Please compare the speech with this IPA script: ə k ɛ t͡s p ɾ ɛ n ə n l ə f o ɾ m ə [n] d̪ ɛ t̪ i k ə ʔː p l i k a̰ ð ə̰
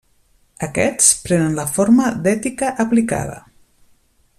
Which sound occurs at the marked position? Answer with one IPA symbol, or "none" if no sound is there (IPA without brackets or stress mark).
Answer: none